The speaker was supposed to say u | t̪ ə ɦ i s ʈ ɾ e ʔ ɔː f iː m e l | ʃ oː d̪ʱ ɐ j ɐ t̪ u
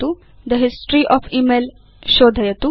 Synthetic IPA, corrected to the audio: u | d̪ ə ɦ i s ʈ ɾ i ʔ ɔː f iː m e l | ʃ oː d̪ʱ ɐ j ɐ t̪ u